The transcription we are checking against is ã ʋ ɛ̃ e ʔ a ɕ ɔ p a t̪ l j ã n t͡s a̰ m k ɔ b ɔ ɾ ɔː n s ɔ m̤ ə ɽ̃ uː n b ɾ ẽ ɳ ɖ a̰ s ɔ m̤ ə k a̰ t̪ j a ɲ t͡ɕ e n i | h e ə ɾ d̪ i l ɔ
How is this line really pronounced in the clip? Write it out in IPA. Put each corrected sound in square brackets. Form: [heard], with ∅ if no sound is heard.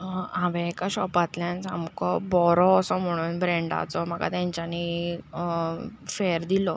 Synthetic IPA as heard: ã ʋ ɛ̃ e [k] a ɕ ɔ p a t̪ l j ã n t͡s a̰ m k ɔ b ɔ ɾ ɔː [∅] s ɔ m̤ ə ɽ̃ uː n b ɾ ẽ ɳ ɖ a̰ [t͡s] ɔ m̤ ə k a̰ t̪ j a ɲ t͡ɕ [a] n i | [f] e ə ɾ d̪ i l ɔ

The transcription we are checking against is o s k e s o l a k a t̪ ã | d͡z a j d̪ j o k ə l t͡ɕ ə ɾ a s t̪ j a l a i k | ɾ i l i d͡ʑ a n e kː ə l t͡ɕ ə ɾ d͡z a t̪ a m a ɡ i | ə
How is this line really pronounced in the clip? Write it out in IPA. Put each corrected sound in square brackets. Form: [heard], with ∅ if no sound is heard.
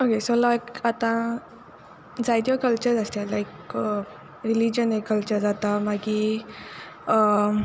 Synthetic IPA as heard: o [∅] k e s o l a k a t̪ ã | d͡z a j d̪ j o k ə l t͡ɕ ə ɾ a s t̪ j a l a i k | ɾ i l i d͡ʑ [ə] n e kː ə l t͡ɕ ə ɾ d͡z a t̪ a m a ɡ i | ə

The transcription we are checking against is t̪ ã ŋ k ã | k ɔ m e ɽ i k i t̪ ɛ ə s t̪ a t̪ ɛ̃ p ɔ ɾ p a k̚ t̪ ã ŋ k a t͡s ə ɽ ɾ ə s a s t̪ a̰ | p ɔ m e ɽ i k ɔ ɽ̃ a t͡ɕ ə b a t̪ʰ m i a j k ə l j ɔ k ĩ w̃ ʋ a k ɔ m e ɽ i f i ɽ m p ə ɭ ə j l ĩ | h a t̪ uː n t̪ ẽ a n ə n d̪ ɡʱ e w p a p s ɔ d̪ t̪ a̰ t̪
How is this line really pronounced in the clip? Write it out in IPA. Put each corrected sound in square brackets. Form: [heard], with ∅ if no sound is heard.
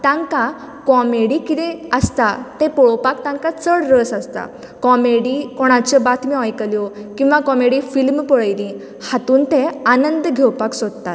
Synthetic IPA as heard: t̪ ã ŋ k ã | k ɔ m e ɽ i k i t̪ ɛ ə s t̪ a t̪ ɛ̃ p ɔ [ɭ] p a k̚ t̪ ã ŋ k a t͡s ə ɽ ɾ ə s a s t̪ a̰ | [k] ɔ m e ɽ i k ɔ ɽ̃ a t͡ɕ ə b a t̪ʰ m i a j k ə l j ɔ k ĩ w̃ ʋ a k ɔ m e ɽ i f i [l] m p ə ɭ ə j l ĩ | h a t̪ uː n t̪ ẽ a n ə n d̪ ɡʱ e w p a [k] s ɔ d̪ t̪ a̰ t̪

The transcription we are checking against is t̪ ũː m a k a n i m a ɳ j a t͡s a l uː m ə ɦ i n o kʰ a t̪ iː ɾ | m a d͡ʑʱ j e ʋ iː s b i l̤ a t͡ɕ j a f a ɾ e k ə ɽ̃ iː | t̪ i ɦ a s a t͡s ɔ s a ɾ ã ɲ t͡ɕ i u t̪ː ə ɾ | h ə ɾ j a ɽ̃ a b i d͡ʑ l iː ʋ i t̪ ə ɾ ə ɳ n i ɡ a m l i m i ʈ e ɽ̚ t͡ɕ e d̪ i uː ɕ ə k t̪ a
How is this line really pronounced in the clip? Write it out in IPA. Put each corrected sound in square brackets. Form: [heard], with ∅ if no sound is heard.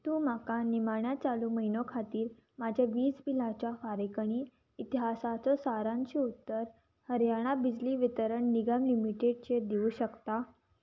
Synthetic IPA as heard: t̪ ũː m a k a n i m a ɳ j a t͡s a l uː m ə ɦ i n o kʰ a t̪ iː ɾ | m a d͡ʑʱ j [a] ʋ iː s b i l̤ a t͡ɕ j a f a ɾ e k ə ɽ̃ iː | t̪ i ɦ a s a t͡s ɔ s a ɾ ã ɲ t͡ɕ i u t̪ː ə ɾ | h ə ɾ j a ɽ̃ a b i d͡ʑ l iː ʋ i t̪ ə ɾ ə ɳ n i ɡ a m l i m i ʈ e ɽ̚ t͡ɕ e d̪ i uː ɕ ə k t̪ a

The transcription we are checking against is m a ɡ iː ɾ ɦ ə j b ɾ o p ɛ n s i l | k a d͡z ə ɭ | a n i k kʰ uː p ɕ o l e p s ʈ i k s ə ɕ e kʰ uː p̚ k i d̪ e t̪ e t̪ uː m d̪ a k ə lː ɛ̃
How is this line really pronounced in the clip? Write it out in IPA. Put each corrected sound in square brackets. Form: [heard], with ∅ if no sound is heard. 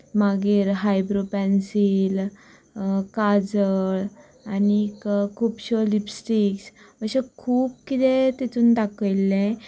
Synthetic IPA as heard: m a ɡ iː ɾ ɦ [a] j b ɾ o p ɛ n s i l | k a d͡z ə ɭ | a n i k kʰ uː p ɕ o l [i] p s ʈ i k s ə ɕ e kʰ uː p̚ k i [t̪] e t̪ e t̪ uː [n] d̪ a k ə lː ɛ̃

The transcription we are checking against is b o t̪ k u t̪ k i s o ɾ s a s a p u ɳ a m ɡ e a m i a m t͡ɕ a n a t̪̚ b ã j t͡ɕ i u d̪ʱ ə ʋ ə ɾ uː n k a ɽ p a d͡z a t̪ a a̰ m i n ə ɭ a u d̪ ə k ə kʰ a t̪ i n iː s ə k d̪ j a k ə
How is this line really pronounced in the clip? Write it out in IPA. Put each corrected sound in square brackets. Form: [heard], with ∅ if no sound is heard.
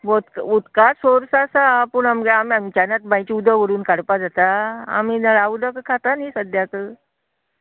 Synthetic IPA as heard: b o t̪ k u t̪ k [a] s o ɾ s a s a p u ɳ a m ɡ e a m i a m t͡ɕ a n a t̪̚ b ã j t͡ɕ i u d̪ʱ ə ʋ ə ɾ uː n k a ɽ p a d͡z a t̪ a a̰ m i n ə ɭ a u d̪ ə k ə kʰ a t̪ [a] n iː s ə [∅] d̪ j a k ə

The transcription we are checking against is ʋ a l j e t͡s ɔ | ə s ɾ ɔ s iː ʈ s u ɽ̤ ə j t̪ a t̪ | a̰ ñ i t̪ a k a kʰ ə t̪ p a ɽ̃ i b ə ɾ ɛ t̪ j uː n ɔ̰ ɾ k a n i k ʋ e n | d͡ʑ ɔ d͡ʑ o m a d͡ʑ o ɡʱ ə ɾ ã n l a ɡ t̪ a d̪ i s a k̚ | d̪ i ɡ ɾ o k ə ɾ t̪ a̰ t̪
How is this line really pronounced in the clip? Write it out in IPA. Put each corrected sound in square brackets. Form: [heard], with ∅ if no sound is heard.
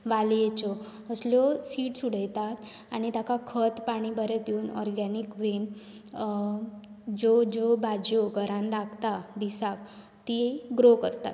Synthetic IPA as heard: ʋ a l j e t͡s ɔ | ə s [l] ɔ s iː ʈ s u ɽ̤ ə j t̪ a t̪ | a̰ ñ i t̪ a k a kʰ ə t̪ p a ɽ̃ i b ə ɾ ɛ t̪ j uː n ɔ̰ ɾ [ɡ] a n i k ʋ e n | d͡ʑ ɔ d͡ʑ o [b] a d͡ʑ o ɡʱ ə ɾ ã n l a ɡ t̪ a d̪ i s a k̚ | [t̪] i ɡ ɾ o k ə ɾ t̪ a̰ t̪

